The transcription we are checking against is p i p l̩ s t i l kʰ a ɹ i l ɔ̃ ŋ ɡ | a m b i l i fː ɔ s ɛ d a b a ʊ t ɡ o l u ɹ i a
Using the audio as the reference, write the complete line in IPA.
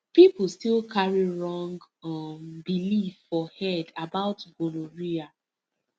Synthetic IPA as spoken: p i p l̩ s t i l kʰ a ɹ i ɹ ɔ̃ ŋ ɡ | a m b i l i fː ɔ h ɛ d a b a ʊ t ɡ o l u ɹ i a